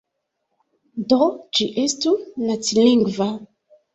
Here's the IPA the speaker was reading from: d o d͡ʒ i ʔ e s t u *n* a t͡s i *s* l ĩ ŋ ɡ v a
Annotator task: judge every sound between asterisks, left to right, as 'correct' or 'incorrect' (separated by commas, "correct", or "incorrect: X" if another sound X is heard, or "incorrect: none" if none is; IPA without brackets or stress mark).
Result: correct, incorrect: none